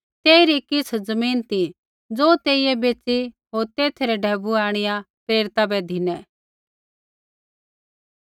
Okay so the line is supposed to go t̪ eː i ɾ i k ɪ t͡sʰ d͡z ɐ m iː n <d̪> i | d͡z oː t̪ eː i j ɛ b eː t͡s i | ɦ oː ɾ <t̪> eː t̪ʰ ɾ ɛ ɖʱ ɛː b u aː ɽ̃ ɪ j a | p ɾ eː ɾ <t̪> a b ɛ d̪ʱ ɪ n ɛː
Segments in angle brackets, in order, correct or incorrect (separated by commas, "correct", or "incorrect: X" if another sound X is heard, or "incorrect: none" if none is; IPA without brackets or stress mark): incorrect: t̪, correct, correct